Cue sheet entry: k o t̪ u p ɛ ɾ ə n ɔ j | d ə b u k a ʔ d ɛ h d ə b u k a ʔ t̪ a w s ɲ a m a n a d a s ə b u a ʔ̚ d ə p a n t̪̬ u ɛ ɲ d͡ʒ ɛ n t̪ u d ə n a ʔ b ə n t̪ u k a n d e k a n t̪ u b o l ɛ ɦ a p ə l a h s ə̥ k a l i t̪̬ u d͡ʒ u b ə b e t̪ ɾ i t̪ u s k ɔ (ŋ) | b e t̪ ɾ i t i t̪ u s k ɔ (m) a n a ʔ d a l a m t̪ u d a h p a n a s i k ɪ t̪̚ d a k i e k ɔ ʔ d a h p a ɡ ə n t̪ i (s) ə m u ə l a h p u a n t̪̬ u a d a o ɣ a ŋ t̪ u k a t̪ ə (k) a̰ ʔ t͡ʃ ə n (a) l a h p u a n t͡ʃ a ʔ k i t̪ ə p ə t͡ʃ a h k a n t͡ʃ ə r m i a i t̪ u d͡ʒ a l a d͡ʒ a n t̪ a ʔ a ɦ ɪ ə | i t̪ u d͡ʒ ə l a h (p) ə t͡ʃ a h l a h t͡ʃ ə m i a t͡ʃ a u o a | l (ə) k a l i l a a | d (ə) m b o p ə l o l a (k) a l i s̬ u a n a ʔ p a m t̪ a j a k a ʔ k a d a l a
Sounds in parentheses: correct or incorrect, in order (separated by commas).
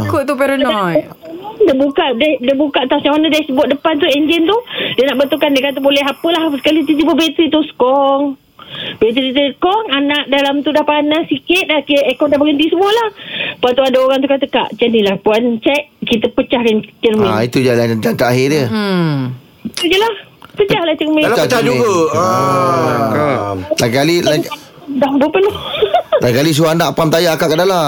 correct, incorrect, correct, correct, incorrect, correct, incorrect, incorrect, correct